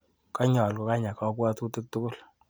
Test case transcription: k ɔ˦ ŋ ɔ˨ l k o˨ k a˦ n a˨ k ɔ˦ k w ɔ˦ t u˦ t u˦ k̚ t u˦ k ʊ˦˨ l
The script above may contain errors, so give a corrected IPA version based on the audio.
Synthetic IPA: k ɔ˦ ɲ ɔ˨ l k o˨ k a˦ ɲ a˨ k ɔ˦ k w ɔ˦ t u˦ t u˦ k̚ t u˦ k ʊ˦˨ l